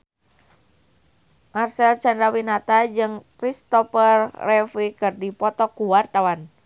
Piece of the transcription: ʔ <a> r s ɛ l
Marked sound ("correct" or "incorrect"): correct